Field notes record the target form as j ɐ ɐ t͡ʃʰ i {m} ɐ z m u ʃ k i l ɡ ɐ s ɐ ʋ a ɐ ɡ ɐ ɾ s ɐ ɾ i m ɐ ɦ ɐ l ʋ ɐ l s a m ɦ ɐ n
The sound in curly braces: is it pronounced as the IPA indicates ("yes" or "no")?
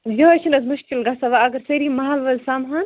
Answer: no